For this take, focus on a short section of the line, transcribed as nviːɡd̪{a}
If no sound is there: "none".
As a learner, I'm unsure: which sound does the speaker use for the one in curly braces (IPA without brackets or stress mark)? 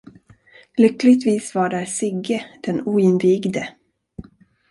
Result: ə